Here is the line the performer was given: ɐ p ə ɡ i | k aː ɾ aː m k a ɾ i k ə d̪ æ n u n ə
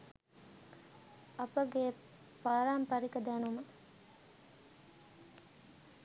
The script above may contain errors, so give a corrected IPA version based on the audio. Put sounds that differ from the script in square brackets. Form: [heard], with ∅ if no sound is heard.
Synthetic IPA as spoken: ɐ p ə ɡ [e] | [p] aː ɾ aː m [p] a ɾ i k ə d̪ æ n u [m] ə